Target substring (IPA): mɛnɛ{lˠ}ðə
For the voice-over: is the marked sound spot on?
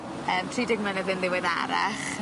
no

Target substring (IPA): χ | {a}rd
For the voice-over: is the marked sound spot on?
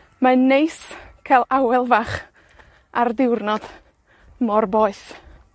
yes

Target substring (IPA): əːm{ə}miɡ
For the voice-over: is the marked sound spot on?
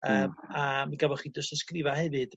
no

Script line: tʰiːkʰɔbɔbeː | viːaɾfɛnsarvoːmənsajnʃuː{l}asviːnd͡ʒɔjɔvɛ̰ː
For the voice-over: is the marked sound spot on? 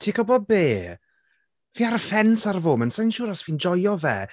no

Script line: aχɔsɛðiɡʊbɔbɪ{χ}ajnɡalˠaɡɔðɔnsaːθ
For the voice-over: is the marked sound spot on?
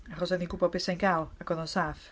no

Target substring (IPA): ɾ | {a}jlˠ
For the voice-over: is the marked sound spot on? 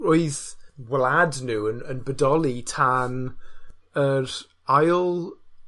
yes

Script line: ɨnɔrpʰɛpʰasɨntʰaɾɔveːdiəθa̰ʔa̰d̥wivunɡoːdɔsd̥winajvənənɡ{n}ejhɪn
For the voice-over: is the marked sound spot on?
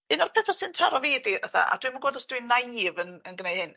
yes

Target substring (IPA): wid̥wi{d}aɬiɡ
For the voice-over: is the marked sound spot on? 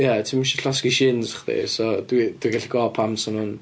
no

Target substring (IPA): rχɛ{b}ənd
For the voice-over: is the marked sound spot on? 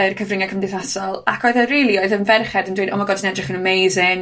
no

